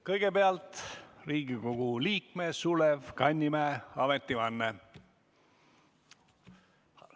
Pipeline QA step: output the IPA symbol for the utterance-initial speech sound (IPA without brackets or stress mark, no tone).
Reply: k